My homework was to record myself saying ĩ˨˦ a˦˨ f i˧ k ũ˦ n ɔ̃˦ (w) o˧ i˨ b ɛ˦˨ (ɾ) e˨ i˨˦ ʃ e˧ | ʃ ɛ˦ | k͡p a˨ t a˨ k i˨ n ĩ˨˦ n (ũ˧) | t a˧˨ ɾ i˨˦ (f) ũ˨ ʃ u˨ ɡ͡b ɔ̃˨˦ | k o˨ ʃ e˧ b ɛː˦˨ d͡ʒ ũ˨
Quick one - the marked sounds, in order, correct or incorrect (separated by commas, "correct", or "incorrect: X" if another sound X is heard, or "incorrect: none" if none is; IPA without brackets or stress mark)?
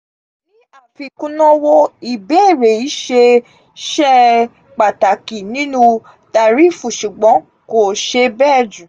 correct, correct, correct, correct